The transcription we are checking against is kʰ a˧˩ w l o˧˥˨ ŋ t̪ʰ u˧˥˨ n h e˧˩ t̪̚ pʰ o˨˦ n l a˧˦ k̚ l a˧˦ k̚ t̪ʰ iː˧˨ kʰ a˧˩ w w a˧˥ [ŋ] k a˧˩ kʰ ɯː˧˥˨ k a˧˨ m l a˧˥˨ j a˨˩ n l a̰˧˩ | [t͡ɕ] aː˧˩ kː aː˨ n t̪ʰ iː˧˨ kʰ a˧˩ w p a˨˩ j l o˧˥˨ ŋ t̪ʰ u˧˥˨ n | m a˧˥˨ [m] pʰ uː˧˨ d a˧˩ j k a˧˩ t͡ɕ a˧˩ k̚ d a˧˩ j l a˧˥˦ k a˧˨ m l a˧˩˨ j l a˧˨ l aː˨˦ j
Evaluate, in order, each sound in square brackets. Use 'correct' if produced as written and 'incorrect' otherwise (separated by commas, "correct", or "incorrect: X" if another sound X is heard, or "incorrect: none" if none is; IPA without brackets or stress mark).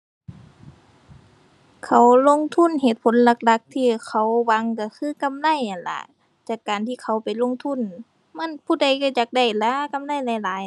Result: correct, correct, incorrect: n